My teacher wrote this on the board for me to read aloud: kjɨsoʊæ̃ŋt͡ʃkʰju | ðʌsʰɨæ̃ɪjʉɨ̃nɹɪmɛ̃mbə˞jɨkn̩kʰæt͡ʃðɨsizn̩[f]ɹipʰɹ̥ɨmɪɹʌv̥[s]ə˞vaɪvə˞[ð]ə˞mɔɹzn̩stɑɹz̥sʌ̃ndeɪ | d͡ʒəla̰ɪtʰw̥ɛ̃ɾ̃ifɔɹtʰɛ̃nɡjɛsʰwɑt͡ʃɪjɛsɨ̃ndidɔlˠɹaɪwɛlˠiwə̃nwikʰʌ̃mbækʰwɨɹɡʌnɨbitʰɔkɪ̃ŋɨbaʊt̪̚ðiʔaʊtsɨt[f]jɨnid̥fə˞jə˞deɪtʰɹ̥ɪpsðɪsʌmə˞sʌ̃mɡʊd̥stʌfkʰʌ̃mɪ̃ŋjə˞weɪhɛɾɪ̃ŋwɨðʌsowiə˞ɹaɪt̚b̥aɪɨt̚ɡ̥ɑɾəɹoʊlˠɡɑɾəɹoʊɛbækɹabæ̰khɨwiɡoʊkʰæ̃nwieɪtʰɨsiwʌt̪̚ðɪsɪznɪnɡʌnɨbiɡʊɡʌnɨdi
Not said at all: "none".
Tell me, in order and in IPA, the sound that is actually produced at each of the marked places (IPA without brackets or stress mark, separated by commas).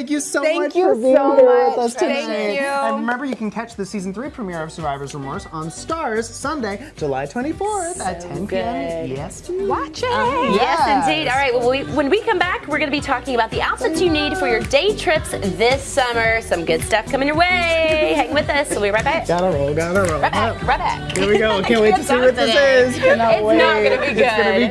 θ, s, z, s